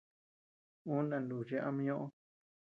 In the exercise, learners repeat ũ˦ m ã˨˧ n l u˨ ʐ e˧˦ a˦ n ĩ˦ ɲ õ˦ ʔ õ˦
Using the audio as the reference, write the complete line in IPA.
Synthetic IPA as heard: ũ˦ n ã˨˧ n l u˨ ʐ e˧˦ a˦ m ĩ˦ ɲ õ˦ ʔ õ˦

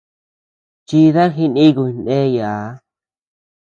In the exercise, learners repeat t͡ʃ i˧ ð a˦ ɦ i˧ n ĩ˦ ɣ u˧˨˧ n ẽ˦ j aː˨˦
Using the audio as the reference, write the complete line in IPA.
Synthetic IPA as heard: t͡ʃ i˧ ð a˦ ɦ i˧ n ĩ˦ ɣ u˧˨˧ n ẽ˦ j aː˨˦

